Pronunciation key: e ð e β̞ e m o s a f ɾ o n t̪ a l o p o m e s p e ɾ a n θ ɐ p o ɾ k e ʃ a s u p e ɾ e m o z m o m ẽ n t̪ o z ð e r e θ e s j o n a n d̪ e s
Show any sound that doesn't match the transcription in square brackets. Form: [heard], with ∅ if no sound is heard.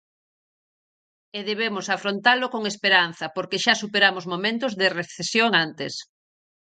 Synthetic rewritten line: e ð e β̞ e m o s a f ɾ o n t̪ a l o [k] o [ŋ] e s p e ɾ a n θ ɐ p o ɾ k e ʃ a s u p e ɾ [a] m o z m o m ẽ n t̪ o z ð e r e θ e s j o [ŋ] a n [t̪] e s

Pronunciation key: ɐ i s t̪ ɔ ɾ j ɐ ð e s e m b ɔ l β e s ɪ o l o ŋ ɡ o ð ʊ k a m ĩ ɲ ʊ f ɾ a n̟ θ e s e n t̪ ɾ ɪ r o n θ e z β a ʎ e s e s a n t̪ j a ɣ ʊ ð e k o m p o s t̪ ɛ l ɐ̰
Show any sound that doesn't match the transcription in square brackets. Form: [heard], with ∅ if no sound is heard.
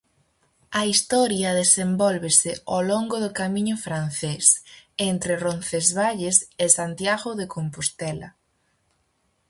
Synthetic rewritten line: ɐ i s t̪ ɔ ɾ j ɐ ð e s e m b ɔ l β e s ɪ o l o ŋ ɡ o ð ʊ k a m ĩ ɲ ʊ f ɾ a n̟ θ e s e n t̪ ɾ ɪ r o n θ e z β a ʎ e s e s a n t̪ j a ɣ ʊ ð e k o m p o s t̪ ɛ l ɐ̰

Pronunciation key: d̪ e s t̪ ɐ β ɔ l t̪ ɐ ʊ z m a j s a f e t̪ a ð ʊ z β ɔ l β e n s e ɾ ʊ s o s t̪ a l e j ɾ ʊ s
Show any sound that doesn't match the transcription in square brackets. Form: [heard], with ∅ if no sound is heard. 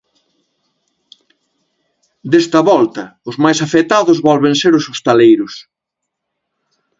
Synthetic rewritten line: d̪ e s t̪ ɐ β ɔ l t̪ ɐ ʊ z m a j s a f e t̪ a ð ʊ z β ɔ l β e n s e ɾ ʊ s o s t̪ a l e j ɾ ʊ s

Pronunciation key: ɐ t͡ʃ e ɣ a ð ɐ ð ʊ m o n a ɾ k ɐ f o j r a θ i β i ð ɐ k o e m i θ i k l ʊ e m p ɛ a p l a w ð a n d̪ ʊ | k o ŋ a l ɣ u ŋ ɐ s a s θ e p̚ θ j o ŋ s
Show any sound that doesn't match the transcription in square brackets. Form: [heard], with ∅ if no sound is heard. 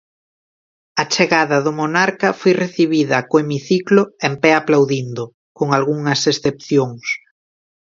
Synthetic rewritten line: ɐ t͡ʃ e ɣ a ð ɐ ð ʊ m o n a ɾ k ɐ f o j r [e] θ i β i ð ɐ k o e m i θ i k l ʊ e m p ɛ a p l a w ð [i] n d̪ ʊ | k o ŋ a l ɣ u ŋ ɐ s [e] s θ e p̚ θ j o ŋ s

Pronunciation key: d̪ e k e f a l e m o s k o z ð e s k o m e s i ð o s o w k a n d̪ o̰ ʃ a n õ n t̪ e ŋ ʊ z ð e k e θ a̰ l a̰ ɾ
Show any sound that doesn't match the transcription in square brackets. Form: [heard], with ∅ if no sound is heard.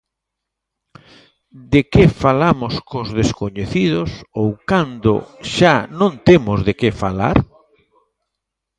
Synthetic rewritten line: d̪ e k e f a l [a] m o s k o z ð e s k o [ɲ] e [θ] i ð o s o w k a n d̪ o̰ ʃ a n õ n t̪ e [m] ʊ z ð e k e [f] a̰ l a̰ ɾ

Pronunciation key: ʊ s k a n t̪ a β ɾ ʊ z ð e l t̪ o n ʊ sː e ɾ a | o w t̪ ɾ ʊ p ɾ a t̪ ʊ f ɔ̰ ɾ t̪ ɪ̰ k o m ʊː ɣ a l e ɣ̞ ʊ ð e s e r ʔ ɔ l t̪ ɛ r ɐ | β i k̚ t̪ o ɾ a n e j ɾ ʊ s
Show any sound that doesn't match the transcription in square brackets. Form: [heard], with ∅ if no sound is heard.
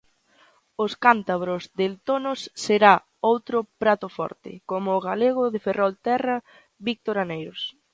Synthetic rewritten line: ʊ s k a n t̪ a β ɾ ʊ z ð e l t̪ o n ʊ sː e ɾ a | o w t̪ ɾ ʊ p ɾ a t̪ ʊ f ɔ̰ ɾ t̪ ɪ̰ k o m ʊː ɣ a l e ɣ̞ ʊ ð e [f] e r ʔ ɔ l t̪ ɛ r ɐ | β i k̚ t̪ o ɾ a n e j ɾ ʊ s

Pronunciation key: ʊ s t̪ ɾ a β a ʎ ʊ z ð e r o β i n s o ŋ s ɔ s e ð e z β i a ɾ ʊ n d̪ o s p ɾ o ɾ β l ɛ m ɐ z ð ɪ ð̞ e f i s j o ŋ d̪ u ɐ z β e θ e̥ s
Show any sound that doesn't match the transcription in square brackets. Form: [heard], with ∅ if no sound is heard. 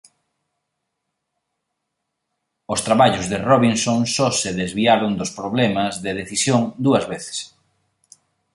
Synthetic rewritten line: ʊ s t̪ ɾ a β a ʎ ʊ z ð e r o β i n s o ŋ s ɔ s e ð e z β i a ɾ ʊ n d̪ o s p ɾ o [∅] β l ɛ m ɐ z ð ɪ ð̞ e [θ] i s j o ŋ d̪ u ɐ z β e θ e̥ s

